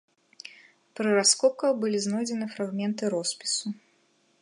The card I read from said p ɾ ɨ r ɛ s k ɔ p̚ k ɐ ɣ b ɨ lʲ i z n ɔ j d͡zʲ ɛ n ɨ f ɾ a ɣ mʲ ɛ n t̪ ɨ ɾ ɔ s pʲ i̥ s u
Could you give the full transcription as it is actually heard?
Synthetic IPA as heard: p ɾ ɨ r a s k ɔ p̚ k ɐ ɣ b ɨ lʲ i z n ɔ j d͡zʲ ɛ n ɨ f ɾ a ɣ mʲ ɛ n t̪ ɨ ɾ ɔ s pʲ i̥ s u